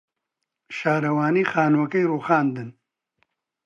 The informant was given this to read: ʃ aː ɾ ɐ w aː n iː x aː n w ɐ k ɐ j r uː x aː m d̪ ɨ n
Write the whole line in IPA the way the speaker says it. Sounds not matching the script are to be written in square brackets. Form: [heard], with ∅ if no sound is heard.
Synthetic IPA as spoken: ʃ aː ɾ ɐ w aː n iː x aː n w ɐ k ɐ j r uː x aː [n] d̪ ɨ n